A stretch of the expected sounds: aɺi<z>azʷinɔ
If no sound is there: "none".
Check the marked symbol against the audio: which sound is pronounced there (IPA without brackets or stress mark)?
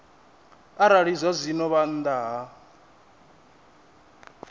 z